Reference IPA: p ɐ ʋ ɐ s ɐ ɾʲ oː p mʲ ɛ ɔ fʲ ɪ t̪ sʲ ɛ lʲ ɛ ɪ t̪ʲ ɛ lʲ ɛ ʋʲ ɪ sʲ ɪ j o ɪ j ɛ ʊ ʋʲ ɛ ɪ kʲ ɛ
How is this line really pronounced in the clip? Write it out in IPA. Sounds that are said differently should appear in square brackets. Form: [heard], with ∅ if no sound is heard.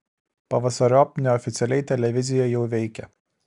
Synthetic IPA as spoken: p ɐ ʋ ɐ s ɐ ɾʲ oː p [nʲ] ɛ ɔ fʲ ɪ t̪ sʲ ɛ lʲ ɛ ɪ t̪ʲ ɛ lʲ ɛ ʋʲ ɪ [zʲ] ɪ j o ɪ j ɛ ʊ ʋʲ ɛ ɪ kʲ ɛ